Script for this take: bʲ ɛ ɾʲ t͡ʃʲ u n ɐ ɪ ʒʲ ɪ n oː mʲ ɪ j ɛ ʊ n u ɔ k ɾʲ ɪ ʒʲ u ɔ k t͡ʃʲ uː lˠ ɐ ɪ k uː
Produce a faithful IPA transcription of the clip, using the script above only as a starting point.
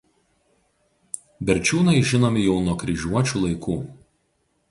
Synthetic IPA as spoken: bʲ ɛ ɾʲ t͡ʃʲ uː n ɐ ɪ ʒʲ ɪ n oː mʲ ɪ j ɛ ʊ n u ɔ k ɾʲ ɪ ʒʲ u ɔ t͡ʃʲ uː lˠ ɐ ɪ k uː